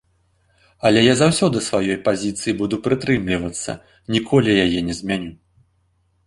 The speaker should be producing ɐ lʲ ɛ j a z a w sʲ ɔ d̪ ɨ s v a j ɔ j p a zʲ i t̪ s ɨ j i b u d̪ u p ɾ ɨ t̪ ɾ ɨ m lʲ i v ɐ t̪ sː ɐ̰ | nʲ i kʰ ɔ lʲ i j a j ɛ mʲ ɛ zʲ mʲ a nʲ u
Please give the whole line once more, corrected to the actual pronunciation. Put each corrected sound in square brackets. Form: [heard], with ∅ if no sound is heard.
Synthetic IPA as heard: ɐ lʲ ɛ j a z a w sʲ ɔ d̪ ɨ s v a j ɔ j p a zʲ i t̪ s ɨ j i b u d̪ u p ɾ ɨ t̪ ɾ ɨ m lʲ i v ɐ t̪ sː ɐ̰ | nʲ i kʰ ɔ lʲ i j a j ɛ [nʲ] ɛ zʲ mʲ a nʲ u